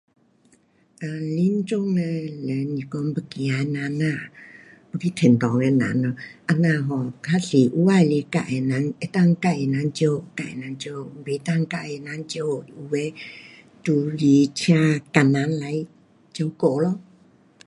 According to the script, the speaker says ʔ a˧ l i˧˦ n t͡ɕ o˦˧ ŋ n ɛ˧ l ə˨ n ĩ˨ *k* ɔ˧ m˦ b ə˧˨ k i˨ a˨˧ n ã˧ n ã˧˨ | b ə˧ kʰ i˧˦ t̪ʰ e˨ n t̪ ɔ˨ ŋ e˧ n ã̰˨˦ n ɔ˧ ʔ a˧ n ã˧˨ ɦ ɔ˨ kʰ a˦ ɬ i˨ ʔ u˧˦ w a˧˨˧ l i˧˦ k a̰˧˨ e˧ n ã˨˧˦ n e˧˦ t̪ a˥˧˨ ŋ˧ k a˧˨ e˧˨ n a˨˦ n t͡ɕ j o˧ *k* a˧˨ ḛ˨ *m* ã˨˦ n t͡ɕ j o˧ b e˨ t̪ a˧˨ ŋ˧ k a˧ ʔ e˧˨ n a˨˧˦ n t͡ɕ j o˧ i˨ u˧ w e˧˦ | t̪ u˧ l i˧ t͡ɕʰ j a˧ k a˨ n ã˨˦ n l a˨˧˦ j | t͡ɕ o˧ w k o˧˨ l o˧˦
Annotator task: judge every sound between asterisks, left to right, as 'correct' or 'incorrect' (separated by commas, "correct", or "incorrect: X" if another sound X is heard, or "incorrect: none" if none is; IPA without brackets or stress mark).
correct, correct, incorrect: n